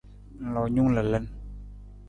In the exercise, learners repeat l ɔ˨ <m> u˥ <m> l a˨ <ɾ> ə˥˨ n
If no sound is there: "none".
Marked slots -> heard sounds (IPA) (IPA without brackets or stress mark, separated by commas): ɲ, ŋ, l